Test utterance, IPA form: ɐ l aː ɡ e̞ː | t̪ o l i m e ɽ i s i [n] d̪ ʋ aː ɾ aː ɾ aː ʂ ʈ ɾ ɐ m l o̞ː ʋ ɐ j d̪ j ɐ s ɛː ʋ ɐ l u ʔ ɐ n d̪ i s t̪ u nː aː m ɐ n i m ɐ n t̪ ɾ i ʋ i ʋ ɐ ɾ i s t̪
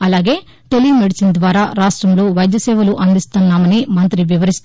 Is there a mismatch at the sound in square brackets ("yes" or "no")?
no